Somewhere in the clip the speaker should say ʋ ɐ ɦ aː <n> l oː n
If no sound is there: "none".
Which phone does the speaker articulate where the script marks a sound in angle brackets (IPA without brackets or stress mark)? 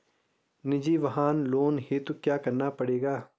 n